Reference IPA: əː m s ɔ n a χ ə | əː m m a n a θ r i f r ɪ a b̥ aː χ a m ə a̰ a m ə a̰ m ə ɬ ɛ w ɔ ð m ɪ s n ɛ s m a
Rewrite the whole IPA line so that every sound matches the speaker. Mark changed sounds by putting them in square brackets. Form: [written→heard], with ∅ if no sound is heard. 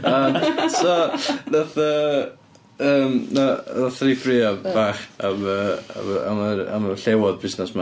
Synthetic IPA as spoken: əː m s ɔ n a [χ→θ] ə | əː m [m→n] a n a θ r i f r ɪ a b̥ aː χ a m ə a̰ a m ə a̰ m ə ɬ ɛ w ɔ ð [m→b] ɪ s n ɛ s m a